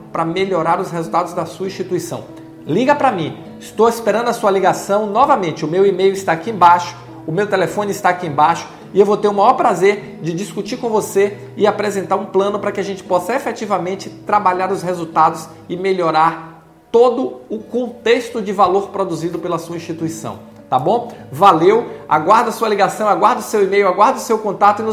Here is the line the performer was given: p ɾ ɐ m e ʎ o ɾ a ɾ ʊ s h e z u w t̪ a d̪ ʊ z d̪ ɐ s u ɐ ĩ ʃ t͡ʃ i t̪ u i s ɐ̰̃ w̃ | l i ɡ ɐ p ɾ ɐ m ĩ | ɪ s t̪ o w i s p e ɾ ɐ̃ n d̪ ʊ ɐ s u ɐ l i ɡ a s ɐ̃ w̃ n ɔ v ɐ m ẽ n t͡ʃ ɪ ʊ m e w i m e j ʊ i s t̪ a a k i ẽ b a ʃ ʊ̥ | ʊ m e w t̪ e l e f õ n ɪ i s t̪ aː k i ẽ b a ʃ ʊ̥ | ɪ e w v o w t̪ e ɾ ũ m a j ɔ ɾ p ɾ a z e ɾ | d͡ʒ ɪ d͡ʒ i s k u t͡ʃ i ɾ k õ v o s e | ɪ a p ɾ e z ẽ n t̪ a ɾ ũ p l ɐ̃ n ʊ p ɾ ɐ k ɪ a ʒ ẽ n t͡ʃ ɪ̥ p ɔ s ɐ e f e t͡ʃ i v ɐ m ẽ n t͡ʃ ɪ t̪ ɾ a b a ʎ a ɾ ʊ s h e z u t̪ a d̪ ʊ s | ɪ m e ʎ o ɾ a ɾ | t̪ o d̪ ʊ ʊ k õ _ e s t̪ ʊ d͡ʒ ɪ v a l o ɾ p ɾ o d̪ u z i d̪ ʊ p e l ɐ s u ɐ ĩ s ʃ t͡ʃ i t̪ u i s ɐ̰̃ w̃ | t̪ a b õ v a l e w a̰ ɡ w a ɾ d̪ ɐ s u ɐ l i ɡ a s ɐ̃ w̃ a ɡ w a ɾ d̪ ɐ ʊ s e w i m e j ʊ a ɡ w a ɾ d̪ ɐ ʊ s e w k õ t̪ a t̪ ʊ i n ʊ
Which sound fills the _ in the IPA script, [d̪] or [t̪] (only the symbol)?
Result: t̪